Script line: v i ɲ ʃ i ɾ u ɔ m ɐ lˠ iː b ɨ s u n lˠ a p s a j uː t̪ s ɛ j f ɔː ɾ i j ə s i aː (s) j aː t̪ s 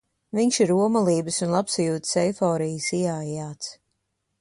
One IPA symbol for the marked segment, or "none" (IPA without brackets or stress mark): none